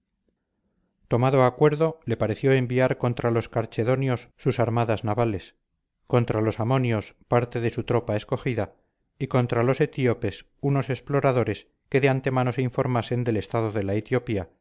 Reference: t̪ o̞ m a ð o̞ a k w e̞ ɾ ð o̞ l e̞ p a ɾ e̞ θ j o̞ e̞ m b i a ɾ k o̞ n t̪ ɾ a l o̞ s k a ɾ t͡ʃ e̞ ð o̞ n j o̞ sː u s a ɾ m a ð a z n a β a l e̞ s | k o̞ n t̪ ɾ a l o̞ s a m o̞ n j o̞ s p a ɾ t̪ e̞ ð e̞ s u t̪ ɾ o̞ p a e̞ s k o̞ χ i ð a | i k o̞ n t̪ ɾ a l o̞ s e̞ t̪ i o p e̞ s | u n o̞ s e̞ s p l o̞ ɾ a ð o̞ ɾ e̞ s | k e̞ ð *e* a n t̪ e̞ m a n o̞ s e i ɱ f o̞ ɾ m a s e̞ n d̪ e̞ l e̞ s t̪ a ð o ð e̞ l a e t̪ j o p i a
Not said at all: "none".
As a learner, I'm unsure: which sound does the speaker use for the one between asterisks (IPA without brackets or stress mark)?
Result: e